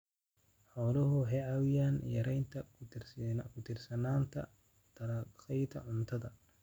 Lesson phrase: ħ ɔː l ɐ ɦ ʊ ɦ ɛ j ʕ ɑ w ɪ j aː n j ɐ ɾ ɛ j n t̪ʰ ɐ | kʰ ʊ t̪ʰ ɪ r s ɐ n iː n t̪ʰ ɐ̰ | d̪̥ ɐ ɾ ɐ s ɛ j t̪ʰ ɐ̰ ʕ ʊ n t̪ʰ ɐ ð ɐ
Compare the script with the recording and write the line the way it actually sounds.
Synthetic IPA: ħ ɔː l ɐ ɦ ʊ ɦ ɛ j ʕ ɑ w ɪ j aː n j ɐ ɾ ɛ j n t̪ʰ ɐ | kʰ ʊ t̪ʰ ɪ r s ɐ n aː n t̪ʰ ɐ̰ | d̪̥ ɐ ɾ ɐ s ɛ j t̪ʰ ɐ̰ ʕ ʊ n t̪ʰ ɐ ð ɐ